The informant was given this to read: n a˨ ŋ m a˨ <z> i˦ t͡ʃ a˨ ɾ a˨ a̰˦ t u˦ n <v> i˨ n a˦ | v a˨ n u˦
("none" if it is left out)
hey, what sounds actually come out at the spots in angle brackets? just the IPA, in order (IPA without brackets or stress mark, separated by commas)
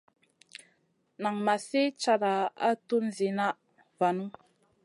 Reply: s, z